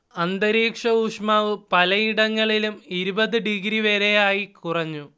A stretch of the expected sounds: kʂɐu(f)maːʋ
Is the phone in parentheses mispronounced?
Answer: yes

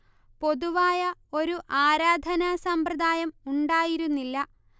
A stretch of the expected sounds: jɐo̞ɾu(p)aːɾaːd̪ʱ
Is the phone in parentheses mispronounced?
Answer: yes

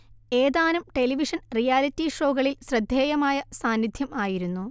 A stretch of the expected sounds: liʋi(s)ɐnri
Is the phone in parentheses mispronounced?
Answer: yes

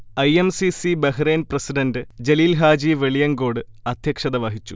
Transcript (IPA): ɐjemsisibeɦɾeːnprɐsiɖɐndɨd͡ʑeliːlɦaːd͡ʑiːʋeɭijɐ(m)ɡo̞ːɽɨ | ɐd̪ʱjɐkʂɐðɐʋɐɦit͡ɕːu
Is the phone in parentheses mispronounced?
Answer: yes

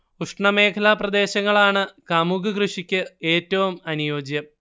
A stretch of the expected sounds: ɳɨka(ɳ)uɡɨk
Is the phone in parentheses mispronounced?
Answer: yes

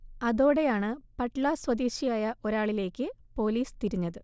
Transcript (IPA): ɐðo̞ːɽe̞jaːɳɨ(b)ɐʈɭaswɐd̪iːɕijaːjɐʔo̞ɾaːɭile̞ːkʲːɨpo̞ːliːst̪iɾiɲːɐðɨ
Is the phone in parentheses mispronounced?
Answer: yes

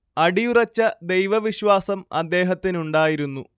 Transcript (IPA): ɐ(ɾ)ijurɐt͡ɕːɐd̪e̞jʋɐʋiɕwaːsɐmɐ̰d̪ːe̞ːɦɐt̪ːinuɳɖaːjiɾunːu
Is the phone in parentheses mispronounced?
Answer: yes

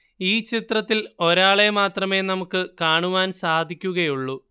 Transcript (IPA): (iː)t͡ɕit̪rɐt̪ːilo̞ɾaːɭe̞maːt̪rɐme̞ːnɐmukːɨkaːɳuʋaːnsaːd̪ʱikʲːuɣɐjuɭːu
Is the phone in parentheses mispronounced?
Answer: no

